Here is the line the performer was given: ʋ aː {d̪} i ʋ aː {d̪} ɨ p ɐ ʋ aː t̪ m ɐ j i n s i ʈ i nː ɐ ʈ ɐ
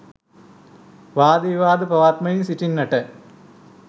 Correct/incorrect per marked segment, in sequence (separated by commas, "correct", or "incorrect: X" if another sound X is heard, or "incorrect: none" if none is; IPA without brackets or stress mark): correct, correct